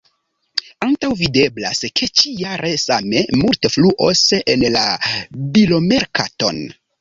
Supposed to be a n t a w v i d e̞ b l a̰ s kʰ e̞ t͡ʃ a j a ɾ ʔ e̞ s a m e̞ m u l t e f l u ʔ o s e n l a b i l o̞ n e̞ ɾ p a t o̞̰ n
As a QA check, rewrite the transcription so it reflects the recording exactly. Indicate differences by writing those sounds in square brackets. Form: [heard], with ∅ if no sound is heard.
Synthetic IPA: a n t a w v i d e̞ b l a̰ s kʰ e̞ t͡ʃ [i] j a ɾ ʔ e̞ s a m e̞ m u l t e f l u ʔ o s e n l a b i l o̞ [m] e̞ ɾ [k] a t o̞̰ n